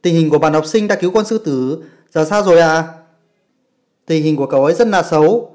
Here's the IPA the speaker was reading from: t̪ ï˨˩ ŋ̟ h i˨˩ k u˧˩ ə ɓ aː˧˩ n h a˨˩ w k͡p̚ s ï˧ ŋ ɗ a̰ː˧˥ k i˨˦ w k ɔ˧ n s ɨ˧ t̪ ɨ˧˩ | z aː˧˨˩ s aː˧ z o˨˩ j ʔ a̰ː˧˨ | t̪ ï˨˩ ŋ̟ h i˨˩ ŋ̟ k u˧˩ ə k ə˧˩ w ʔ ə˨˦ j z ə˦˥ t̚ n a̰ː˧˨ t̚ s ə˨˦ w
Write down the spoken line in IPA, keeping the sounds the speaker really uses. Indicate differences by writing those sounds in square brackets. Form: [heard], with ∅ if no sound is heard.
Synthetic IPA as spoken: t̪ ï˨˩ ŋ̟ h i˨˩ k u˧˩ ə ɓ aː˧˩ n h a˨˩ w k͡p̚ s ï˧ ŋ ɗ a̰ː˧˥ k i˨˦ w k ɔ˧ n s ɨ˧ t̪ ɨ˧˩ | z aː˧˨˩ s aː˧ z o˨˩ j ʔ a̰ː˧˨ | t̪ ï˨˩ ŋ̟ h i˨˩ ŋ̟ k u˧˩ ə k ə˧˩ w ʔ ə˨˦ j z ə˦˥ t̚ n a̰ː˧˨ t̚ s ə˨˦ w